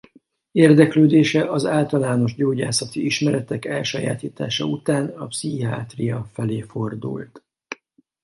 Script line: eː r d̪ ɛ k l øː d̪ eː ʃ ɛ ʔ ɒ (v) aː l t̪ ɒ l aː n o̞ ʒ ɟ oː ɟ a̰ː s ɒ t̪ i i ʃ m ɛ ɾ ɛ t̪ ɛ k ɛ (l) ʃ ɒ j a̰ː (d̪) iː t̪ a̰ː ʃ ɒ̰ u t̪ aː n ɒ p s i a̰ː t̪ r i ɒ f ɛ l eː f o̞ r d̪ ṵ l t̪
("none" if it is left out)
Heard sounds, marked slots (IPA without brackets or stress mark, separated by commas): z, l, t̪